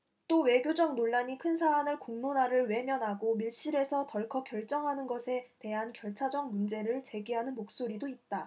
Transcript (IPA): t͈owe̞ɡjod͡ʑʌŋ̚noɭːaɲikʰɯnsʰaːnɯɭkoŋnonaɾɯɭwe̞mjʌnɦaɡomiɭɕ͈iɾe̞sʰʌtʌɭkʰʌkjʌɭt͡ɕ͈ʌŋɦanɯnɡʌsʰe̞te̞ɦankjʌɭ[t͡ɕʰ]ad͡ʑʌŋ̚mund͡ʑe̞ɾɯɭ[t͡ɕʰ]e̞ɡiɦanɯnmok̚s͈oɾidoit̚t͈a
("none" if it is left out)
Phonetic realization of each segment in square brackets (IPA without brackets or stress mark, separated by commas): t͡ɕʰ, t͡ɕ